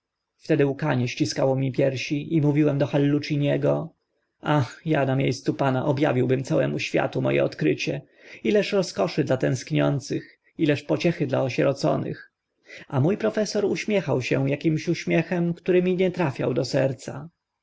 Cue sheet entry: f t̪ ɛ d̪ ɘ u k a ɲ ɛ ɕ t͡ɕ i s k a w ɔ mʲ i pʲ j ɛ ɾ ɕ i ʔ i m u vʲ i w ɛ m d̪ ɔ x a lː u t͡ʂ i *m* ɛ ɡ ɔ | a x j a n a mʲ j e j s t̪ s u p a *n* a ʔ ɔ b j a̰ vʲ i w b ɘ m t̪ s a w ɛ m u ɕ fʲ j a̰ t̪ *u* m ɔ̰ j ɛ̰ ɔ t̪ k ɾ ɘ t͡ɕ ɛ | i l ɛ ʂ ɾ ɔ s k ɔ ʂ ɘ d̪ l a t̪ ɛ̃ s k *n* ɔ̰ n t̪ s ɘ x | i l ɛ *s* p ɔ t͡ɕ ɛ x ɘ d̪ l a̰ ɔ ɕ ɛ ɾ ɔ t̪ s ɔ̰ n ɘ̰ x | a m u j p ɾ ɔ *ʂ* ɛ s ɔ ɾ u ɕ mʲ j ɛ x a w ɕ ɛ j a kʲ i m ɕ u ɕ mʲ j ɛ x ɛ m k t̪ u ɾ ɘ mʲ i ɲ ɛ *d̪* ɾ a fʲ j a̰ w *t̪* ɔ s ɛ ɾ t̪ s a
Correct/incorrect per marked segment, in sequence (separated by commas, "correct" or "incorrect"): incorrect, correct, correct, incorrect, incorrect, incorrect, incorrect, incorrect